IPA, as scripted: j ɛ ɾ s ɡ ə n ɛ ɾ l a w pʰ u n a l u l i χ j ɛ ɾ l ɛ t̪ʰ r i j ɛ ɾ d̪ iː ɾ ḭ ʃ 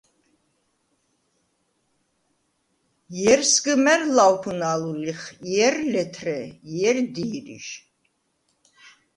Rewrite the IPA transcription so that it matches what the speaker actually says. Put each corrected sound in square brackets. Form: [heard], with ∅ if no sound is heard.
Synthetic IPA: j ɛ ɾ s ɡ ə [m] ɛ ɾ l a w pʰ u n a l u l i χ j ɛ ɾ l ɛ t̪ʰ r [ɛ] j ɛ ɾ d̪ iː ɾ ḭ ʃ